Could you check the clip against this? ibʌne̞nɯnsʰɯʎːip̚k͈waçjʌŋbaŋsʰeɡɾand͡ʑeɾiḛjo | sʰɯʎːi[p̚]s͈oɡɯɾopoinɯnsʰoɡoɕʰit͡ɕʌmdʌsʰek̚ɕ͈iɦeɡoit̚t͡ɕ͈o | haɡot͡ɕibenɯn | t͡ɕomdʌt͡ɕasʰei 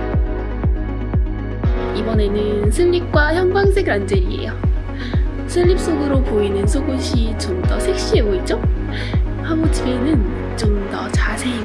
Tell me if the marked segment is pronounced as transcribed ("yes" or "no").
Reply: yes